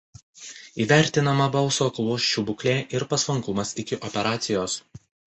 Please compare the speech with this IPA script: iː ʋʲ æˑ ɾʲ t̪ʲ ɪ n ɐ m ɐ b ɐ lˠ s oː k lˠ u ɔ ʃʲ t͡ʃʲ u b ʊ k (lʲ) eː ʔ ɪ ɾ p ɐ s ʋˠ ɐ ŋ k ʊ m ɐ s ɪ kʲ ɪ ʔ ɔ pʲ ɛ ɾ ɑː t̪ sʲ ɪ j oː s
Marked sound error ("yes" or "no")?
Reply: no